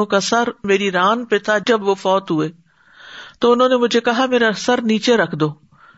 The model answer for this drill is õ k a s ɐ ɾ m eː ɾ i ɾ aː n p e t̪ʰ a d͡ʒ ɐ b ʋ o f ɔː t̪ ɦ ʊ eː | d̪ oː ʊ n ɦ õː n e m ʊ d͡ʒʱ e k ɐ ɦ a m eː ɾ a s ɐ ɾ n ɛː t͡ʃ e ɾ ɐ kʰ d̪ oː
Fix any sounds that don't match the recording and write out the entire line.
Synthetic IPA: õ k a s ɐ ɾ m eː ɾ i ɾ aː n p e t̪ʰ a d͡ʒ ɐ b ʋ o f ɔː t̪ ɦ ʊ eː | t̪ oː ʊ n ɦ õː n e m ʊ d͡ʒʱ e k ɐ ɦ a m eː ɾ a s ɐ ɾ n iː t͡ʃ e ɾ ɐ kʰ d̪ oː